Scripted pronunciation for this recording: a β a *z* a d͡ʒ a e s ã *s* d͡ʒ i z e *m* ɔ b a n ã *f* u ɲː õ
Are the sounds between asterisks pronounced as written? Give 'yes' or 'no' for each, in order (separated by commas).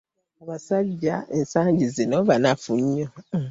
no, no, no, yes